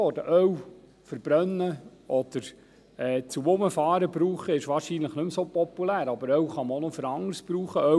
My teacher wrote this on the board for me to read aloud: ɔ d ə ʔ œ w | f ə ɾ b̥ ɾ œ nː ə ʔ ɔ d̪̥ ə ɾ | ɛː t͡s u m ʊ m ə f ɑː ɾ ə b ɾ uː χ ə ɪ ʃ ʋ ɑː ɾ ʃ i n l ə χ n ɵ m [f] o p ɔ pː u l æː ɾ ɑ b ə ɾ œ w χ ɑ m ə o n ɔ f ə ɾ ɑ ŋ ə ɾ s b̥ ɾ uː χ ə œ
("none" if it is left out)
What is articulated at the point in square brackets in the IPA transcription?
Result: s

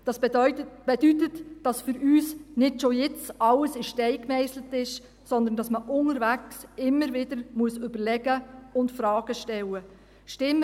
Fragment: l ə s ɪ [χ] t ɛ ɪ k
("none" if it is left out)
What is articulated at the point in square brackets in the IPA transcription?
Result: ʃ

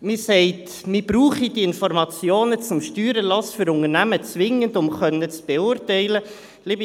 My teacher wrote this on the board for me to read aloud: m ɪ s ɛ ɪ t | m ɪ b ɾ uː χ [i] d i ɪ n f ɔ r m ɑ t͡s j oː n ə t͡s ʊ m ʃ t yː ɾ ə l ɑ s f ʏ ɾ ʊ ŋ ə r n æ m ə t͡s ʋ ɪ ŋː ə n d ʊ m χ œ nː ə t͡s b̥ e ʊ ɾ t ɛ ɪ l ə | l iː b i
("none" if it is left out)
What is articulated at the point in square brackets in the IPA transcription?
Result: i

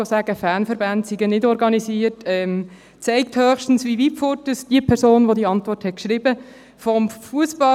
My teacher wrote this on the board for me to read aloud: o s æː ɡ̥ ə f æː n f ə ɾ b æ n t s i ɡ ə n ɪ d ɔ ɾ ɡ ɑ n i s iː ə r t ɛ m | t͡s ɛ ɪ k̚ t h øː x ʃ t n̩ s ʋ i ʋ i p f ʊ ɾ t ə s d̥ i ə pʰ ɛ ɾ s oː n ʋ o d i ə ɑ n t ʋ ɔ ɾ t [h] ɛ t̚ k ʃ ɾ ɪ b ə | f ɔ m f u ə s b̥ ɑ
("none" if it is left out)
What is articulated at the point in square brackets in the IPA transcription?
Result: h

